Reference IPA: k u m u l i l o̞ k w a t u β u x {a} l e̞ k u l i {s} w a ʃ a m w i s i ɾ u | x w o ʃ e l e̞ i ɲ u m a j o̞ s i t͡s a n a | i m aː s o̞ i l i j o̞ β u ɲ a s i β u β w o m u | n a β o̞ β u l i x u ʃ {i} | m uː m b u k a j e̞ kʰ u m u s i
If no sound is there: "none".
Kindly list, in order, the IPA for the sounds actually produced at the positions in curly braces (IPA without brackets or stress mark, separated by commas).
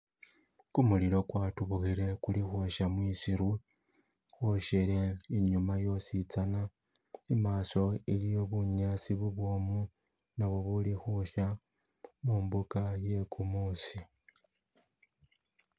i, x, a